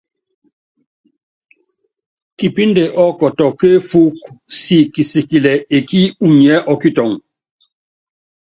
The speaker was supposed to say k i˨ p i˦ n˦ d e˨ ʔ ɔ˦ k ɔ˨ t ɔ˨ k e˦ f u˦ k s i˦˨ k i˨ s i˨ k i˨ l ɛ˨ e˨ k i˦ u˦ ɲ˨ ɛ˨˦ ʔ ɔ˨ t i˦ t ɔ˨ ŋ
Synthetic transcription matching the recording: k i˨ p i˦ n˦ d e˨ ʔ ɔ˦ k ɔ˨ t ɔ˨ k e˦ f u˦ k s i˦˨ k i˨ s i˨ k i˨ l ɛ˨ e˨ k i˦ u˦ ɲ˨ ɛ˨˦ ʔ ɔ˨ k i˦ t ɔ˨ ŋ